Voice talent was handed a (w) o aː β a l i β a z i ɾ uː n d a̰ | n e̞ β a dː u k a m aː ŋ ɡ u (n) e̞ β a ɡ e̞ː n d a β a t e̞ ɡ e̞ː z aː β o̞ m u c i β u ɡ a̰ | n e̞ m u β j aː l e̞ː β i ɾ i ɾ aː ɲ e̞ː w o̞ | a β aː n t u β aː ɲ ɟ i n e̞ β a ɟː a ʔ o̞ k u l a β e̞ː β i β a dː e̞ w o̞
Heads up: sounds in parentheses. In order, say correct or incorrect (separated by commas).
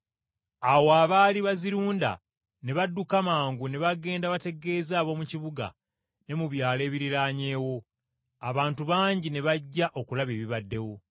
correct, correct